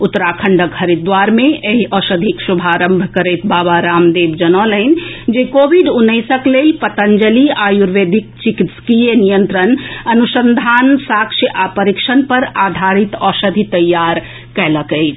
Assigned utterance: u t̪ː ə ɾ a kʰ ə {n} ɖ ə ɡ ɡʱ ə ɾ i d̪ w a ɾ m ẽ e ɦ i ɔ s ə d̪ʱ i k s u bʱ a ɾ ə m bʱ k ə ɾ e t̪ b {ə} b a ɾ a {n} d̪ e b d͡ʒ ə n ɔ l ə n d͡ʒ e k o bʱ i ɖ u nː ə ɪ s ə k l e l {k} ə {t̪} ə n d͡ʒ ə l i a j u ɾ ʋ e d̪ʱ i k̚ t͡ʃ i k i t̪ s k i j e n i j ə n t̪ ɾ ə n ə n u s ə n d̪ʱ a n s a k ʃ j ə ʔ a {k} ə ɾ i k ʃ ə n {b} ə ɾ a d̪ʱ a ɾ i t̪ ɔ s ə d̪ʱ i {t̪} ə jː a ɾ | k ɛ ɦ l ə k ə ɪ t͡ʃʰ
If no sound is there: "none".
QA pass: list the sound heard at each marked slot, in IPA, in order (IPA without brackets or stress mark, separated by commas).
ɳ, a, m, p, t̪, p, p, t̪